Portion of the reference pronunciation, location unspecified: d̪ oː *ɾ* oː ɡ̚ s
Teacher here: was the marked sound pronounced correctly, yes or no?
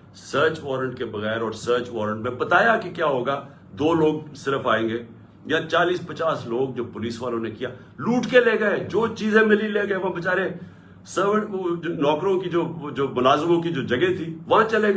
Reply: no